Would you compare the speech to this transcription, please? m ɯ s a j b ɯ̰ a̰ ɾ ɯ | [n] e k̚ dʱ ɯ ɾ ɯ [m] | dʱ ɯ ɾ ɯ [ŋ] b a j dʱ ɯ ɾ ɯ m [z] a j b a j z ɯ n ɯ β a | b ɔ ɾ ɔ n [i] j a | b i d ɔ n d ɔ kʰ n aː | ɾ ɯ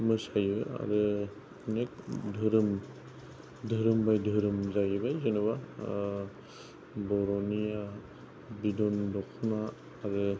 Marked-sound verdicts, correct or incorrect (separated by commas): correct, correct, incorrect, correct, correct